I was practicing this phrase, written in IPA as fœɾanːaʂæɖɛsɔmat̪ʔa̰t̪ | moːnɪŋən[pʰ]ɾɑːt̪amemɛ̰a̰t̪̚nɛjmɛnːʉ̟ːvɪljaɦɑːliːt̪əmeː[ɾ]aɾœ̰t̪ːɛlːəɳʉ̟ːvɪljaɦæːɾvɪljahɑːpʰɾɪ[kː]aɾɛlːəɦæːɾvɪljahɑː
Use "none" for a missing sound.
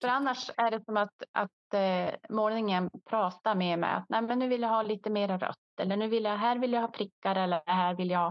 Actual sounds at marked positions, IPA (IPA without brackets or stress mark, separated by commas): pʰ, ɾ, kː